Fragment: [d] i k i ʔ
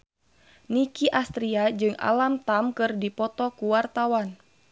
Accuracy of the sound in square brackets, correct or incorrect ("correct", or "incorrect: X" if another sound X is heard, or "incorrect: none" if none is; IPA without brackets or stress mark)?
incorrect: n